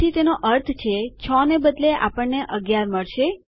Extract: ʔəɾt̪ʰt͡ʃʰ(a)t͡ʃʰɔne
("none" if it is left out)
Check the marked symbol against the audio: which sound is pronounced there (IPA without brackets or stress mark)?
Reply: e